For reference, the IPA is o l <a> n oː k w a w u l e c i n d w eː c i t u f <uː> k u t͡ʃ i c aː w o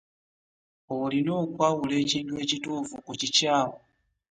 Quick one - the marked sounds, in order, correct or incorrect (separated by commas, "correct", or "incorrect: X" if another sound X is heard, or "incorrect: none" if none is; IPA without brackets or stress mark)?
incorrect: i, incorrect: u